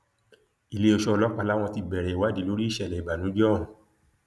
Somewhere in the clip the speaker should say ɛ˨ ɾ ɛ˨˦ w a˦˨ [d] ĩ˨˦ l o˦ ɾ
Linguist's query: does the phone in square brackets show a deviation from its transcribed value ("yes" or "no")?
no